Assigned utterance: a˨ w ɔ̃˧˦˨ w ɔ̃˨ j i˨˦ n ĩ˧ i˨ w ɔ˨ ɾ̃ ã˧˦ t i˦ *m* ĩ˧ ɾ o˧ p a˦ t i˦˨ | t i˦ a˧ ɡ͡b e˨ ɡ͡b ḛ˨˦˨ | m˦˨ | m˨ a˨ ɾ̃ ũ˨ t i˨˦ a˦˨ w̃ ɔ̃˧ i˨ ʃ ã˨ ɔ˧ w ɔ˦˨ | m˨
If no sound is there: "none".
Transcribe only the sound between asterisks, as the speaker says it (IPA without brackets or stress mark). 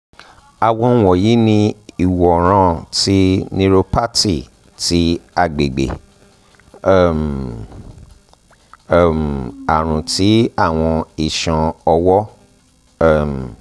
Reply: n